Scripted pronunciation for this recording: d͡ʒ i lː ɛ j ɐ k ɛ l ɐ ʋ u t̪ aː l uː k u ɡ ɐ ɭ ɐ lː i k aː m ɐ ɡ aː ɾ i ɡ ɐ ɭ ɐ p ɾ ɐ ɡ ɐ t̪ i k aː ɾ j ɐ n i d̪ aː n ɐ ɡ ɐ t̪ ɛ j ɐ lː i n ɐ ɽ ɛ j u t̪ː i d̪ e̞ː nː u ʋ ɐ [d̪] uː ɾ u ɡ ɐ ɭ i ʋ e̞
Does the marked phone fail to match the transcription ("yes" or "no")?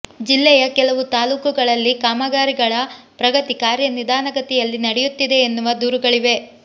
no